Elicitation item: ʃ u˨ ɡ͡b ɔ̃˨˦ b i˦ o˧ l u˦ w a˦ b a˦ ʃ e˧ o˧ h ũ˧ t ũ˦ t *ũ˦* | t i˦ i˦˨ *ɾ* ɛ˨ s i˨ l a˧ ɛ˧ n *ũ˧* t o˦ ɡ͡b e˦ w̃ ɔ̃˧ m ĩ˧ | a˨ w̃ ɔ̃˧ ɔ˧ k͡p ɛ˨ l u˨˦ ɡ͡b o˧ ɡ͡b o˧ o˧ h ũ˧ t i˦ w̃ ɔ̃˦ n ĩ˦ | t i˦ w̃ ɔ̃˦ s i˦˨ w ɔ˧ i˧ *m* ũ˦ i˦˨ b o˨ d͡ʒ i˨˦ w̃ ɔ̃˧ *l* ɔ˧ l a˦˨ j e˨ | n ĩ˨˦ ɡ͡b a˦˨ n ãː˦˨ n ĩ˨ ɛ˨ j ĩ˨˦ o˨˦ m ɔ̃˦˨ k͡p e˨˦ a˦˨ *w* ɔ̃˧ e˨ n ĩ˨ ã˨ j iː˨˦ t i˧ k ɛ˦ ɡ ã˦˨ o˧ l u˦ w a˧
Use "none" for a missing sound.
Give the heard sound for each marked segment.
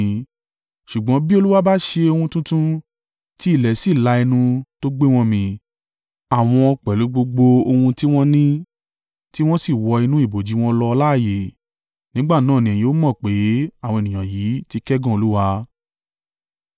ũ˦, l, ũ˧, n, l, w

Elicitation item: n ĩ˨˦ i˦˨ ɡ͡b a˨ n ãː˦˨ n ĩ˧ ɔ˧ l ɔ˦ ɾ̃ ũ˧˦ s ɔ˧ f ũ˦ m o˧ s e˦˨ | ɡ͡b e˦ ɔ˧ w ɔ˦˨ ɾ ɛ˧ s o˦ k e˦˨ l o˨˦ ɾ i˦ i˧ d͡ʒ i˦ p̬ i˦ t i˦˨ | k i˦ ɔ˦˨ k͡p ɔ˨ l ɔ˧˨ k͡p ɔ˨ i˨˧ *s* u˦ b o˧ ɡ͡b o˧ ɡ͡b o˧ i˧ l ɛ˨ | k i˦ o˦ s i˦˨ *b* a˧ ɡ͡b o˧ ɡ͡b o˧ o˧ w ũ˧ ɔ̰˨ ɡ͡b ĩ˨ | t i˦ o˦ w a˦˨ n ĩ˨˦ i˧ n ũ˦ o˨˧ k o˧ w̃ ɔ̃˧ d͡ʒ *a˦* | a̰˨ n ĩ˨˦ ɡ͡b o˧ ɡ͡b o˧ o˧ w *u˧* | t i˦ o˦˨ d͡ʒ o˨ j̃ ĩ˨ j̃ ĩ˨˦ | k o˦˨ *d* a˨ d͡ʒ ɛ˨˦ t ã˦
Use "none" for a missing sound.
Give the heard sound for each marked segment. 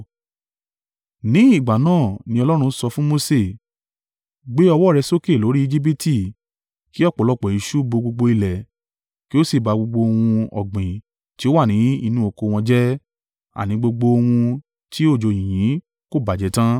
ʃ, b, ɛ˦, ũ˧, b

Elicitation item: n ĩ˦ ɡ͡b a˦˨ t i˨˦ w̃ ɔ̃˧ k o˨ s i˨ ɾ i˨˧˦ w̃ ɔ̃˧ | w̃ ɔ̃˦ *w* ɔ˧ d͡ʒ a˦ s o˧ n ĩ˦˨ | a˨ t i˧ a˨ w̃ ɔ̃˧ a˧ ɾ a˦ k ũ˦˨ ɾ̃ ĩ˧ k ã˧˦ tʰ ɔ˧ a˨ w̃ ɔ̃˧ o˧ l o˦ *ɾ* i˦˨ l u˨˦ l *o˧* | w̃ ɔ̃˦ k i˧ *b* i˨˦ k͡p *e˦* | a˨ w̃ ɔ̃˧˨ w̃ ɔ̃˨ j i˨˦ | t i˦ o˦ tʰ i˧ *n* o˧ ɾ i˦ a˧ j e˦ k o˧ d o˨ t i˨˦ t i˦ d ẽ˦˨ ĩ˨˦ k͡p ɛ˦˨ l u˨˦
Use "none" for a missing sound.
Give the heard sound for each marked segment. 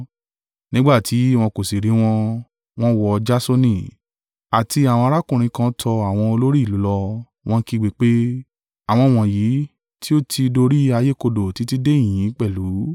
w, ɾ, ɔ˧, ɡ͡b, e˦, d

